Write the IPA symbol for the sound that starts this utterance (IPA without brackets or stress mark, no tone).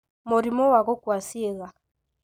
m